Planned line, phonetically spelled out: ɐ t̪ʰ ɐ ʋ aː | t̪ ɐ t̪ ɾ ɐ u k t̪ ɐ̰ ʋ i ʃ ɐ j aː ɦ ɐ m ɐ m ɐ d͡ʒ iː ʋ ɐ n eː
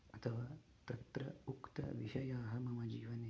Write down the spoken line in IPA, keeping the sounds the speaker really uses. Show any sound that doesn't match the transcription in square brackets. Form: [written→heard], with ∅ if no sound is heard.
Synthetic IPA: ɐ t̪ʰ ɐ ʋ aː | t̪ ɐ t̪ ɾ ɐ u k t̪ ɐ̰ ʋ i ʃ ɐ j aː ɦ ɐ m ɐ m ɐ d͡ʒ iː ʋ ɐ n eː